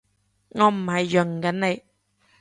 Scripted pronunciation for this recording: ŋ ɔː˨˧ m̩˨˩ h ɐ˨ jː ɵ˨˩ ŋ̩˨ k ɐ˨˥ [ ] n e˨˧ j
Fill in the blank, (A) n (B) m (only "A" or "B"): A